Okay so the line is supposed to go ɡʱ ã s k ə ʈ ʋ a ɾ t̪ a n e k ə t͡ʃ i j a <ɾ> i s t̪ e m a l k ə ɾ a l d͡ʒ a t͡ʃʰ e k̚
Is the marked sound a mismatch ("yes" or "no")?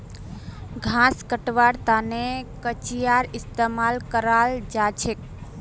no